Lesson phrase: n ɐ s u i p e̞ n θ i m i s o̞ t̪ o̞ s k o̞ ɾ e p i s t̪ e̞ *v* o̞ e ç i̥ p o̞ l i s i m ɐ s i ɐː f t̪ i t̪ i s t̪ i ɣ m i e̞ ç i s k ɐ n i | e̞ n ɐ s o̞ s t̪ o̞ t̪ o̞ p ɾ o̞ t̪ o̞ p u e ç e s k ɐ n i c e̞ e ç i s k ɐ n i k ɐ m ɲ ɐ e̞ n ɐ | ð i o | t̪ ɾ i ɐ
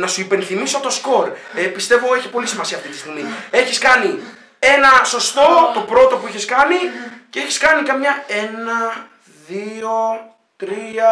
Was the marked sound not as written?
no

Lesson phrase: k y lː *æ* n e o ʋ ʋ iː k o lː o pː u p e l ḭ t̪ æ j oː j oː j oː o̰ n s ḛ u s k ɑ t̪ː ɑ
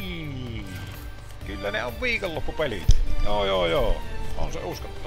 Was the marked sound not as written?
no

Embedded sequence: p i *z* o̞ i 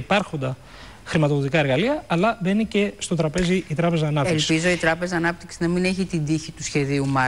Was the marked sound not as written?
no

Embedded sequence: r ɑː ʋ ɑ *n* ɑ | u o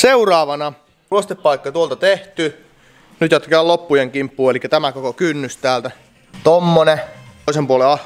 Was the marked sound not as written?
no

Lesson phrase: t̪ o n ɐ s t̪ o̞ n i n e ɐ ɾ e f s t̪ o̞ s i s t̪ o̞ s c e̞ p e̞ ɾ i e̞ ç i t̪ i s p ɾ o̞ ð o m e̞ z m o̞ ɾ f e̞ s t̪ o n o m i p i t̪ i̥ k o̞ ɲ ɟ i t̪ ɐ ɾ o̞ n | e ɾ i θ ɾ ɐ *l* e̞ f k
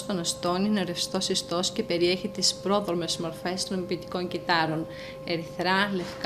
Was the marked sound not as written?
no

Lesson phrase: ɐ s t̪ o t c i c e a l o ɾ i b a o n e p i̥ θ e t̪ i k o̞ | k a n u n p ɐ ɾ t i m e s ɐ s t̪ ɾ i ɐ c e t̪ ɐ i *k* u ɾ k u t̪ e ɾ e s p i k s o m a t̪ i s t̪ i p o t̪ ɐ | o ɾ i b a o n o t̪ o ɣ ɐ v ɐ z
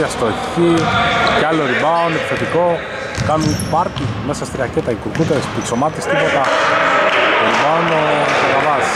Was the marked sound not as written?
no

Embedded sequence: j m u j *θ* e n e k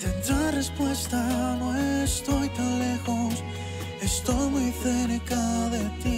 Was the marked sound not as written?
no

